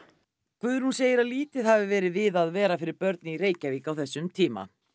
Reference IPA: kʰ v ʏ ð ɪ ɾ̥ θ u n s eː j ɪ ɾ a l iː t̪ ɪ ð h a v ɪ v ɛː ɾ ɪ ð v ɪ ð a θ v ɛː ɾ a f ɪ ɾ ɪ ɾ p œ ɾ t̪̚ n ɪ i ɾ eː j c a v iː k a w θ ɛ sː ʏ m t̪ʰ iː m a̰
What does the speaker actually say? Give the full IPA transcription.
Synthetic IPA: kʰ v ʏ ð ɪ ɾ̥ h u n s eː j ɪ ɾ a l iː t̪ ɪ ð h a v ɪ v ɛː ɾ ɪ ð v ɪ ð a ð v ɛː ɾ a f ɪ ɾ ɪ ɾ p œ ɾ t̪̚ n ɪ i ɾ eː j c a v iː k a w θ ɛ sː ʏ m t̪ʰ iː m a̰